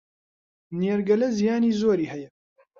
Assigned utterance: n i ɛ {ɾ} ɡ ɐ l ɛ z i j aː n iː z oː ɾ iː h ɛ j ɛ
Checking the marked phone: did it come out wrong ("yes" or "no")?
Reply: no